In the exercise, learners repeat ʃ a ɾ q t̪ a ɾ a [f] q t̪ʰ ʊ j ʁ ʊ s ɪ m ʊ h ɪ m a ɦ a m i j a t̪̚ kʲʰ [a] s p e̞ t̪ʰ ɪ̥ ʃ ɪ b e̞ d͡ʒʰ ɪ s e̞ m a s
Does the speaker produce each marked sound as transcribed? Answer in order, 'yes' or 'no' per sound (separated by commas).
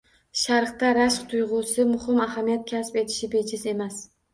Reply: no, yes